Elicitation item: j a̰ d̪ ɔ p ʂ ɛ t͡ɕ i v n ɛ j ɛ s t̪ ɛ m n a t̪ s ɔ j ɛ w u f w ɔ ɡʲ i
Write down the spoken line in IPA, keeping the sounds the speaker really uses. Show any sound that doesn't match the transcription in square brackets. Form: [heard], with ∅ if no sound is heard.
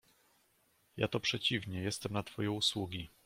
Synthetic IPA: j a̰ [t̪] ɔ p ʂ ɛ t͡ɕ i v [ɲ] ɛ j ɛ s t̪ ɛ m n a t̪ [f] ɔ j ɛ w u [s] w [u] ɡʲ i